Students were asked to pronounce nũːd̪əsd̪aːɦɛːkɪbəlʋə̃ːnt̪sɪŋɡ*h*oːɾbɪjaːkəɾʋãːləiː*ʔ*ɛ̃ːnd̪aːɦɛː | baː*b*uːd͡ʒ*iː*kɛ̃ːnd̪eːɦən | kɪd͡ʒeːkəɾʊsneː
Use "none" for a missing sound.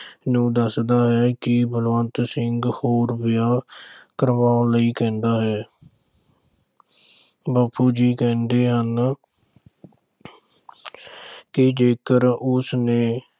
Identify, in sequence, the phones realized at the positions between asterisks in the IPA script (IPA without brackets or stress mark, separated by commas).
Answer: h, k, p, iː